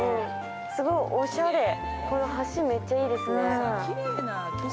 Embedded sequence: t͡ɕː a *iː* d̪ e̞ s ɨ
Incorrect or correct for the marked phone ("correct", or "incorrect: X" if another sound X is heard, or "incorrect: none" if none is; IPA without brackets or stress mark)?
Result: correct